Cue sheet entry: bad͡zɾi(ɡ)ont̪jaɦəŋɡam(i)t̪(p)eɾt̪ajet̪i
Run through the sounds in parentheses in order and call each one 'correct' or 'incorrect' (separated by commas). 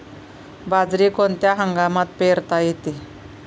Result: incorrect, incorrect, correct